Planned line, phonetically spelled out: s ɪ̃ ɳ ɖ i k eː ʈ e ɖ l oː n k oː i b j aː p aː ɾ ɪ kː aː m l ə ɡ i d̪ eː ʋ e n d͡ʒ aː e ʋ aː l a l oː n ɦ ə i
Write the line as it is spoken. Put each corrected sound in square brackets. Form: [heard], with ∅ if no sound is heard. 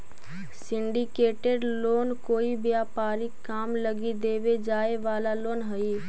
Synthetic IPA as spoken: s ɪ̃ ɳ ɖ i k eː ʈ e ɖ l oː n k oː i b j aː p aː ɾ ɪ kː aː m l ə ɡ i d̪ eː ʋ e [∅] d͡ʒ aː e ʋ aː l a l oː n ɦ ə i